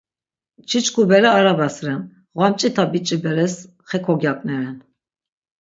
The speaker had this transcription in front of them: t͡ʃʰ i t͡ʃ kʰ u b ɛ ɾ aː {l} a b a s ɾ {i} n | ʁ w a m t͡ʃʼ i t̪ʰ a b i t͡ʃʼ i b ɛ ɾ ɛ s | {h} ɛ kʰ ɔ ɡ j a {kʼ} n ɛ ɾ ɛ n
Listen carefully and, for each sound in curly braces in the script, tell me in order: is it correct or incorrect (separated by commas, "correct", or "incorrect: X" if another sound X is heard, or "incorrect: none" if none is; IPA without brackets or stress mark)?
incorrect: ɾ, incorrect: ɛ, incorrect: χ, correct